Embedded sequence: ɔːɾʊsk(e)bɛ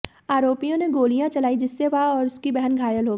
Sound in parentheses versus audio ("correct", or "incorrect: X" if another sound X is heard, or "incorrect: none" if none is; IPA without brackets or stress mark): incorrect: i